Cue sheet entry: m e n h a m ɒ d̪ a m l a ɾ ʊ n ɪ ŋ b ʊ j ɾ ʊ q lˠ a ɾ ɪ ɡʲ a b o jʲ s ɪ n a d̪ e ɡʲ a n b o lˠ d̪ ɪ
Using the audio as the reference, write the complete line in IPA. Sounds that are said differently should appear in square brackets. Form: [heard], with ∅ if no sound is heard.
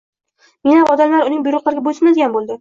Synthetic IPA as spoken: m e n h a m ɒ d̪ a m l a ɾ ʊ n ɪ ŋ b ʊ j ɾ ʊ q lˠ a ɾ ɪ ɡʲ a b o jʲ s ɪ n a d̪ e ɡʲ a n b o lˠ d̪ ɪ